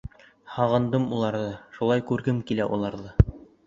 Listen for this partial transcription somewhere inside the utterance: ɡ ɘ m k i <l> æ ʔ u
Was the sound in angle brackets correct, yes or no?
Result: yes